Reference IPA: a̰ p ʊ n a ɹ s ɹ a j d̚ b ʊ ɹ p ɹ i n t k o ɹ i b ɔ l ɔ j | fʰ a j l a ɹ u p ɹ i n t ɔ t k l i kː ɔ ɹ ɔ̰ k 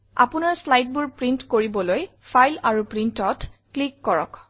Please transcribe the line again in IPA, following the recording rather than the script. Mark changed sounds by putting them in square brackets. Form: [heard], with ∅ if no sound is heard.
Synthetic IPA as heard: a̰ p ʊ n a ɹ s [l] a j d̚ b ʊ ɹ p ɹ i n t k o ɹ i b ɔ l [o] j | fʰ a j l a ɹ u p ɹ i n t ɔ t k l i kː ɔ ɹ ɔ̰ k